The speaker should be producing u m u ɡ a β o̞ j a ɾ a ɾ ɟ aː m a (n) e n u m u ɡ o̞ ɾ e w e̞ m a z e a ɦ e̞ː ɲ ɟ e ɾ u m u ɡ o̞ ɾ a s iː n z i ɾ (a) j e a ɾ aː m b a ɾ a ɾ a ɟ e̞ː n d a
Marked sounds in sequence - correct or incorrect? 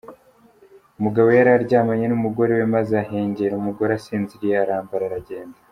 incorrect, incorrect

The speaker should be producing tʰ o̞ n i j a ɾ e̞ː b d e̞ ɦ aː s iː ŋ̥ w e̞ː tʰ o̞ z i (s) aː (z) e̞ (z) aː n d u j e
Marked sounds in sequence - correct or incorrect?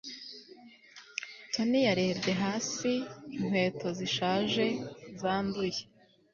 incorrect, incorrect, correct

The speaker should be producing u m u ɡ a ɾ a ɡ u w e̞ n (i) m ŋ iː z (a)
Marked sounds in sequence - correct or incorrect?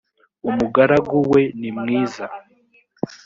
correct, correct

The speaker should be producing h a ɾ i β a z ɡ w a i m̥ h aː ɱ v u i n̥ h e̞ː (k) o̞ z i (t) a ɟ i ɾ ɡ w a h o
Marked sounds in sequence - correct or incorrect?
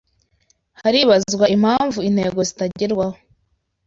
incorrect, correct

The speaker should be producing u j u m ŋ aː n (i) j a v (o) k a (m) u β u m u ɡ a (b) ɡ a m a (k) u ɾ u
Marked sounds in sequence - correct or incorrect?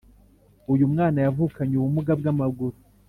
incorrect, incorrect, incorrect, correct, incorrect

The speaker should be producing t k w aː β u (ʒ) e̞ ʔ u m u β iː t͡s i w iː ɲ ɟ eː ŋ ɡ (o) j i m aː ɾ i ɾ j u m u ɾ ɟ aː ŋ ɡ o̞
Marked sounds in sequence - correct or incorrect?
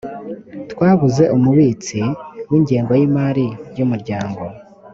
incorrect, correct

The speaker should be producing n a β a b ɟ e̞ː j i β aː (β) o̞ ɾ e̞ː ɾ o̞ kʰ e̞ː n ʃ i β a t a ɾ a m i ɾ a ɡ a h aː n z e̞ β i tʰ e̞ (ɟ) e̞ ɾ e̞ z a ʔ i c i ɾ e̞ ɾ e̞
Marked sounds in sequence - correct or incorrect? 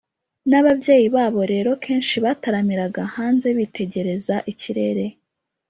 correct, correct

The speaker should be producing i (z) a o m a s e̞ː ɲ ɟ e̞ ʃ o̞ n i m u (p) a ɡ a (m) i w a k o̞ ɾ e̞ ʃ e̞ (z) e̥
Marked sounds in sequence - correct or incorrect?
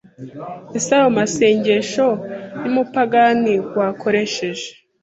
incorrect, correct, incorrect, incorrect

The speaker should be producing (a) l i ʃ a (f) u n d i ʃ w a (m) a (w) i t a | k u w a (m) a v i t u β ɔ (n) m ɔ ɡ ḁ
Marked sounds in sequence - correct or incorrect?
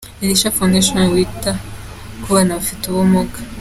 incorrect, correct, incorrect, correct, incorrect, incorrect

